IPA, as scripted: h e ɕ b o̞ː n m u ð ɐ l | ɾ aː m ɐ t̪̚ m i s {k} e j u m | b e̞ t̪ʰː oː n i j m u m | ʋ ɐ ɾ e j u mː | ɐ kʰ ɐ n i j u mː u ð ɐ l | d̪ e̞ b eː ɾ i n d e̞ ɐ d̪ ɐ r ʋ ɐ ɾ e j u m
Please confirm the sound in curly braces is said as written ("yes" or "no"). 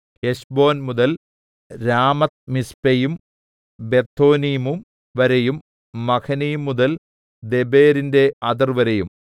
no